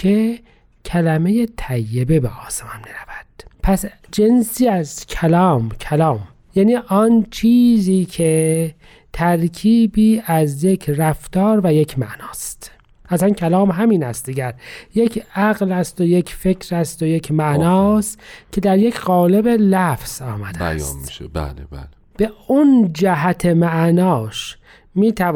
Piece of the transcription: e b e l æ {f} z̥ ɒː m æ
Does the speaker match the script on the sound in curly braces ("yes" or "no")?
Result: yes